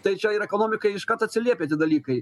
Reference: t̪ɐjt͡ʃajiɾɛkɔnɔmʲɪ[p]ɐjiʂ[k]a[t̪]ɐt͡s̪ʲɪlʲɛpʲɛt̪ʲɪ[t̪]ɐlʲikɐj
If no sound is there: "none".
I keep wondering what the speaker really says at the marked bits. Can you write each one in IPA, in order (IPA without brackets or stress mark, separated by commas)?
k, k, t̪, d̪